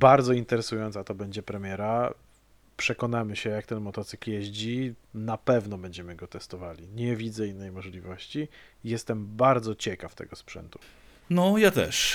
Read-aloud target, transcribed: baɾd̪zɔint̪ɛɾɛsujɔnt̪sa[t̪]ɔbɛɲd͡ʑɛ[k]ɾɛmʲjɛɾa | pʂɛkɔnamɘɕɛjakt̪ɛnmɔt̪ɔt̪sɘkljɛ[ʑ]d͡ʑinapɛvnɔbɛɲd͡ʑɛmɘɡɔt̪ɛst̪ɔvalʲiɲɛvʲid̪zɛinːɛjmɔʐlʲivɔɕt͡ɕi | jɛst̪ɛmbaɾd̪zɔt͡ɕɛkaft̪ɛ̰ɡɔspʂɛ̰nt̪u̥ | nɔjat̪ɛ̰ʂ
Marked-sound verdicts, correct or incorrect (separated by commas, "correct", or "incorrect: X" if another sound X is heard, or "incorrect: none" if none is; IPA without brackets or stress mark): correct, incorrect: p, correct